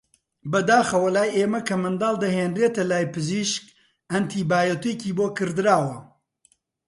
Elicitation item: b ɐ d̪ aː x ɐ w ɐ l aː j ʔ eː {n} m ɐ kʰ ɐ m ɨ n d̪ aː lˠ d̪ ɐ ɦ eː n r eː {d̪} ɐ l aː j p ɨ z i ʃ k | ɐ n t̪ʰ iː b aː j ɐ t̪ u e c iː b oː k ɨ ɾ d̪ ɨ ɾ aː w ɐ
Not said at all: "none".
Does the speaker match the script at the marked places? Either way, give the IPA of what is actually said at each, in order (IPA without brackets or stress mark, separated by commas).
none, t̪